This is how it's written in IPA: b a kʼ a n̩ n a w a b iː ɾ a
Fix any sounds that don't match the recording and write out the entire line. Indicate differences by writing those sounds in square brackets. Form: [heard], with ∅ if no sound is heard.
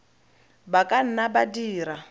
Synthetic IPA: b a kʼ a n̩ n a [b] a [d] iː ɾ a